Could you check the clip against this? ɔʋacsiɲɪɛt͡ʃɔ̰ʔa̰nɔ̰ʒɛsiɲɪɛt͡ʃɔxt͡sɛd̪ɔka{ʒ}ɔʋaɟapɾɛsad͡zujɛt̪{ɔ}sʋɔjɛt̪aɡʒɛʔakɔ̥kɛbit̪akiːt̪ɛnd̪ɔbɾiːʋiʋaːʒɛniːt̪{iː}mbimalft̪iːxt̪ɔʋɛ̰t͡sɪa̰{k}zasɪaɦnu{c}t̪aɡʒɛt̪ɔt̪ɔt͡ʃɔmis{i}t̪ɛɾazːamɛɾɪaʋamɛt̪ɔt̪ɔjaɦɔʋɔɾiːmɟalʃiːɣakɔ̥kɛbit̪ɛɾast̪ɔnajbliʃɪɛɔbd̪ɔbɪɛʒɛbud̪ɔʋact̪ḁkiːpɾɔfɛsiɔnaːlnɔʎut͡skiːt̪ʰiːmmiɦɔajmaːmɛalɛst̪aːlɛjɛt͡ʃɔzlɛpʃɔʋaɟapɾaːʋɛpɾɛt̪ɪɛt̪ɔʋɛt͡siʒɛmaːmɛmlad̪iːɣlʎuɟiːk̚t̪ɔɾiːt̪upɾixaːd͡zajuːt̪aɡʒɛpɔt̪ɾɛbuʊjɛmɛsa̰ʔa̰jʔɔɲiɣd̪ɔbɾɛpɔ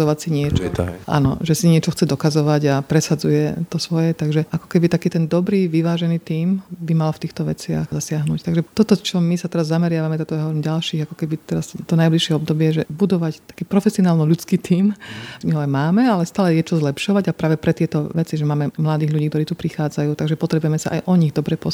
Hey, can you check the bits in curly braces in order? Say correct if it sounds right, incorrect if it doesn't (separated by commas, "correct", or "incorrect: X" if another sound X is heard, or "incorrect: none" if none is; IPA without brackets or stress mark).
incorrect: z, correct, correct, incorrect: x, correct, incorrect: a